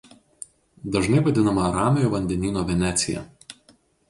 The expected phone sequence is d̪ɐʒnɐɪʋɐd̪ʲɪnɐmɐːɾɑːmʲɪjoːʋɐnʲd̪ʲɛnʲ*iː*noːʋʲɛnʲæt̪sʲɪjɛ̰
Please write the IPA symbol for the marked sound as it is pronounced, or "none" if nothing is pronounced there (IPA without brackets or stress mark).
iː